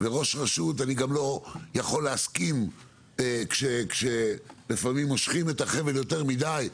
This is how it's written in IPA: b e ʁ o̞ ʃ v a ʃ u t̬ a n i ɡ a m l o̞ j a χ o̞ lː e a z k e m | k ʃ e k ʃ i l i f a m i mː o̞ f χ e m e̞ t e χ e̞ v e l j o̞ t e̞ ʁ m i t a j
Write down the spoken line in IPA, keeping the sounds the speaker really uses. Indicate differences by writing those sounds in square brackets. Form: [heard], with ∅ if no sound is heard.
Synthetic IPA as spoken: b e ʁ o̞ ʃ [ʁ] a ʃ u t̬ a n i ɡ a m l o̞ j a χ o̞ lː e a [s] k [i] m | k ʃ e k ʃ [e] l i f a m i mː o̞ [ʃ] χ [i] m e̞ t [a] χ e̞ v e l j o̞ t e̞ ʁ m i [d] a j

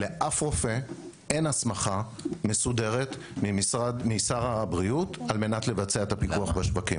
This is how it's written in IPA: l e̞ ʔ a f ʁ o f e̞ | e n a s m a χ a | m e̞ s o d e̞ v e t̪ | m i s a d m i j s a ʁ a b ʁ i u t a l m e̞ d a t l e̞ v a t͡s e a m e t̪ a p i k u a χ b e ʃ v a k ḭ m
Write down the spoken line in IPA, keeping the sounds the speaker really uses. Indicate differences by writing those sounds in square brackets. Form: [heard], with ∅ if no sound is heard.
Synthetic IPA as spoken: l e̞ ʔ a f ʁ o f e̞ | e n a s m a χ a | m e̞ s [u] d e̞ [ʁ] e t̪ | m i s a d m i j s a ʁ a b ʁ i u t a l m e̞ [n] a t l e̞ v a t͡s e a [∅] e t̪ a p i k u a χ b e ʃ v a k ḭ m

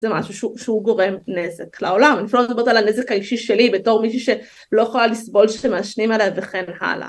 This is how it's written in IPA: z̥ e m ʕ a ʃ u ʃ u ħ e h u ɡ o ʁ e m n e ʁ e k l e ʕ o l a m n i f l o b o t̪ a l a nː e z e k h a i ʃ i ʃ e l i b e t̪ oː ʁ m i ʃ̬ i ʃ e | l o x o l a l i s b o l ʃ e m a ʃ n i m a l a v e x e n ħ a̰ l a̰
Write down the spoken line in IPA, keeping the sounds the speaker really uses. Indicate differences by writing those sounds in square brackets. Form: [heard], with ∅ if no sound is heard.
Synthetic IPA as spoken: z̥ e m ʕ a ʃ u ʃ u [ʃ] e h u ɡ o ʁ e m n e [z] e k l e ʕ o l a m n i f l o b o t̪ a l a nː e z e k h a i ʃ i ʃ e l i b e t̪ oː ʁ m i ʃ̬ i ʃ e | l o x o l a l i s b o l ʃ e m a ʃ n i m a l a v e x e n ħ a̰ l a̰

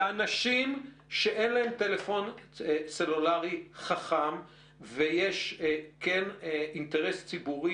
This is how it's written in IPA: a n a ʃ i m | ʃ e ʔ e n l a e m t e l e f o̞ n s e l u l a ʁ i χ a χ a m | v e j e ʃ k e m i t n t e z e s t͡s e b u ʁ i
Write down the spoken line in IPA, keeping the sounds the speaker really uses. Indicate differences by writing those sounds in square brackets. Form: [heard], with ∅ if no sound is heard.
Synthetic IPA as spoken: a n a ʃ i m | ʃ e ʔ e n l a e m t e l e f o̞ n s e l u l a ʁ i χ a χ a m | v e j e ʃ k e [n] i [∅] n t e [ʁ] e s t͡s [i] b u ʁ i

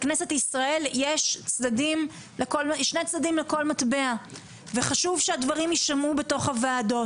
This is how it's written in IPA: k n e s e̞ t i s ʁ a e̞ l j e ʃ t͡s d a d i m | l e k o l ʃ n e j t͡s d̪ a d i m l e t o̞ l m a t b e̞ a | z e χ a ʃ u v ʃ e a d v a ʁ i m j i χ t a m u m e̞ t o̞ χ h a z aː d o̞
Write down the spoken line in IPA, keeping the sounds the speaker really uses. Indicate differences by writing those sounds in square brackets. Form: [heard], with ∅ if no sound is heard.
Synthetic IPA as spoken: k n e s e̞ t i s ʁ a e̞ l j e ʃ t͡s d a d i m | l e k o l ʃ n e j t͡s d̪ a d i m l e [k] o̞ l m a t b e̞ a | [v] e χ a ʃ u v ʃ e a d v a ʁ i m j i [ʃ] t a m u [b] e̞ t o̞ χ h a [v] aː d o̞

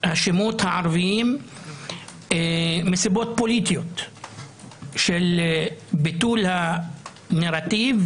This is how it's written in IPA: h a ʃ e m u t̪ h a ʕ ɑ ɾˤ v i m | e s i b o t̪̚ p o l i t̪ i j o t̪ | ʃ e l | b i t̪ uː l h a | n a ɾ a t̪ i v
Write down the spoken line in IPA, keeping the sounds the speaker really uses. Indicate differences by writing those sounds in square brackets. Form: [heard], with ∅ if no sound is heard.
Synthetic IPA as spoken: h a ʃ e m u t̪ h a ʕ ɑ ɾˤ v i m | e s i b o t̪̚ p o l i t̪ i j o t̪ | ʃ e l | b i t̪ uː l h a | n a ɾ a t̪ i v

